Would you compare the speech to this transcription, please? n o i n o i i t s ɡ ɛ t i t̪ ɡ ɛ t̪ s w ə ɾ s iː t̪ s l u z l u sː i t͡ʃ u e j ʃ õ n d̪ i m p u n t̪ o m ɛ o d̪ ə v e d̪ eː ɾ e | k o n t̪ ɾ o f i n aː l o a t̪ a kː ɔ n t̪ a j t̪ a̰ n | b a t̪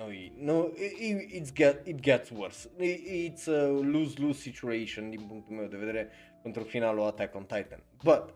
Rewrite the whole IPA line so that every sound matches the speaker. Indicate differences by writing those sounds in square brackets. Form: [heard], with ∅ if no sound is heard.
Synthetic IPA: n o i n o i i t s ɡ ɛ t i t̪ ɡ ɛ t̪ s w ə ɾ s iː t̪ s l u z l u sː i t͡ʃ u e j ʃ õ n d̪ i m p u n t̪ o m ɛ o d̪ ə v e d̪ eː ɾ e | k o n t̪ ɾ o f i n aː l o a t̪ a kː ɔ n t̪ a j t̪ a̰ n | b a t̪